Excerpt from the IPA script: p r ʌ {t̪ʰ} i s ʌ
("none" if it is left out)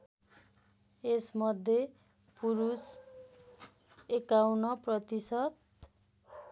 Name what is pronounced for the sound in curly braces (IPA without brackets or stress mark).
t̪